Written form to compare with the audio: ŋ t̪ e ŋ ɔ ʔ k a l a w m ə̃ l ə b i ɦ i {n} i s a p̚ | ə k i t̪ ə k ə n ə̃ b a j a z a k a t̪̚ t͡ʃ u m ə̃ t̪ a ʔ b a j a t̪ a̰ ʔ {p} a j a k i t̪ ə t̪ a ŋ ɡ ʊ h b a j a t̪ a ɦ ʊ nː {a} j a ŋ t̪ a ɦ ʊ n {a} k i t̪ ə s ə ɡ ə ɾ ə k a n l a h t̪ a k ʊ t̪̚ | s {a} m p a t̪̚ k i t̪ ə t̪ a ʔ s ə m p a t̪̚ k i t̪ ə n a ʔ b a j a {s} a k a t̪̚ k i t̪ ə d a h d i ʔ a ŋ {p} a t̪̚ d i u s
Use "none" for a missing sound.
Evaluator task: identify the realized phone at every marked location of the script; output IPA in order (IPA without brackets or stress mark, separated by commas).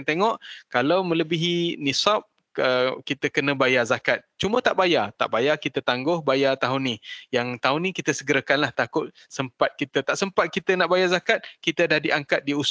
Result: n, b, i, i, ə, z, k